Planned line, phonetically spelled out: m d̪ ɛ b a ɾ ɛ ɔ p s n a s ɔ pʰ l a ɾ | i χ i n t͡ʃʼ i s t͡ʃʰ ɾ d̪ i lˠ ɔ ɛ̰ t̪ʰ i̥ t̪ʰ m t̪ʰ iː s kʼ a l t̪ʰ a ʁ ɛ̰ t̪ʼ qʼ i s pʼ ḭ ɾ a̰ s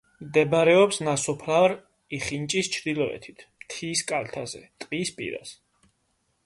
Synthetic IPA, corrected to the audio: m d̪ ɛ b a ɾ ɛ ɔ p s n a s ɔ pʰ l a ɾ | i χ i n t͡ʃʼ i s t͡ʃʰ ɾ d̪ i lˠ ɔ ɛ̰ t̪ʰ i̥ t̪ʰ m t̪ʰ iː s kʼ a l t̪ʰ a z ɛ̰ t̪ʼ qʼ i s pʼ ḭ ɾ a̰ s